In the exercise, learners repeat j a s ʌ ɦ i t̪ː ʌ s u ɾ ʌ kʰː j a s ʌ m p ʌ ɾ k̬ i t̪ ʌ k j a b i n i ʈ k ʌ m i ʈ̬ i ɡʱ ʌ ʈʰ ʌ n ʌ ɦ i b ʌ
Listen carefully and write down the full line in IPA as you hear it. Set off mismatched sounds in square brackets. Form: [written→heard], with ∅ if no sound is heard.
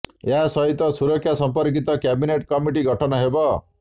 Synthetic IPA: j a s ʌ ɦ i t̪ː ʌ s u ɾ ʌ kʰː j a s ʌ m p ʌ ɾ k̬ i t̪ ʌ k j a b i n [i→e] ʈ k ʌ m i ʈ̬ i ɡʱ ʌ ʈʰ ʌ n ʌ ɦ [i→e] b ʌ